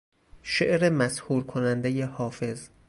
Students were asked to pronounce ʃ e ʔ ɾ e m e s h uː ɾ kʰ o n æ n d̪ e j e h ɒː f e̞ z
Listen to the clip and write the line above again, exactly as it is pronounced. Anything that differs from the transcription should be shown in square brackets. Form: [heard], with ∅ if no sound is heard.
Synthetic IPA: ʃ e ʔ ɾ e m [æ] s h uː ɾ kʰ o n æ n d̪ e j e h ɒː f e̞ z